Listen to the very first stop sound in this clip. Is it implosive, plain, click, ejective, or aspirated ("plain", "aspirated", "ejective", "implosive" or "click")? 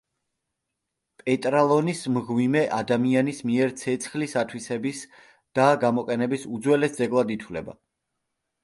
ejective